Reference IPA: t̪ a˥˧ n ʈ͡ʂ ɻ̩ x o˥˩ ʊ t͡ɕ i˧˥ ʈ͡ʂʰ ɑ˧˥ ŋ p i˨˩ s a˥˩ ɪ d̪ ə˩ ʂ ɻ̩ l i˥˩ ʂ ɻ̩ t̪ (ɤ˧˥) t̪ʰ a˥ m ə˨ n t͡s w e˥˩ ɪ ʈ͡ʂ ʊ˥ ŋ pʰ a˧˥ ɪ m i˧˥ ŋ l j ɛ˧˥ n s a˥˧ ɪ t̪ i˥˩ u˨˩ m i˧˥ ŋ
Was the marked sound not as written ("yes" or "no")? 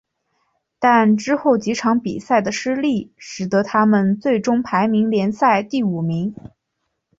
no